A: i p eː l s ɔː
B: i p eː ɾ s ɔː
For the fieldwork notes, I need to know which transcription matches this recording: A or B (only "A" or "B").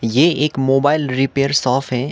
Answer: B